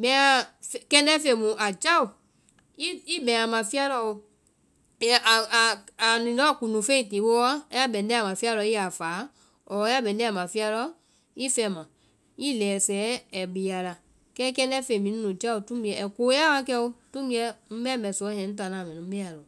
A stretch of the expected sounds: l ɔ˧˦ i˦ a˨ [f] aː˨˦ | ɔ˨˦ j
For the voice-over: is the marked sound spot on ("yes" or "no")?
yes